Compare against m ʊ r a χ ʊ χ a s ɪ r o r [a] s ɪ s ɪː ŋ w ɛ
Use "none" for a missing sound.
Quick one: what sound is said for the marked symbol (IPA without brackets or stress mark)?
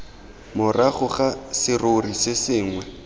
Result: i